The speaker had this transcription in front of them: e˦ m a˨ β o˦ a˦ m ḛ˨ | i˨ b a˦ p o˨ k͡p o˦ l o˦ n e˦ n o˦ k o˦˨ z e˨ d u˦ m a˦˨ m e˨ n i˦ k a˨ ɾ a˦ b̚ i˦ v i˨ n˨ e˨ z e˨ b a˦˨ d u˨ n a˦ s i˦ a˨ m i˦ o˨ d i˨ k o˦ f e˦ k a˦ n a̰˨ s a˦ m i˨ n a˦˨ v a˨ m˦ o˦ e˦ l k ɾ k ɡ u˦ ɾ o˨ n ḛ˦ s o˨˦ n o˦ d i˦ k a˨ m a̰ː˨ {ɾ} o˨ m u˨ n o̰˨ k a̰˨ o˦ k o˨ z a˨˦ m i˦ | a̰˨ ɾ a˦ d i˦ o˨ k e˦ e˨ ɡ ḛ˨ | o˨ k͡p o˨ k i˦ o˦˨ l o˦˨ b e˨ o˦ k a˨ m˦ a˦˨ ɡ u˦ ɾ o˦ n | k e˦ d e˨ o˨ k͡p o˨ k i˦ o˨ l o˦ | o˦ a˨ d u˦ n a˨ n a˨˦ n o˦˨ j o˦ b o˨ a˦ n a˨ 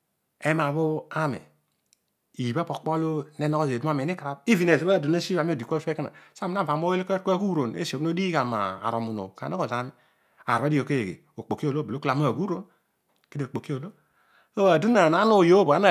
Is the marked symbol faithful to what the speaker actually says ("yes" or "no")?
yes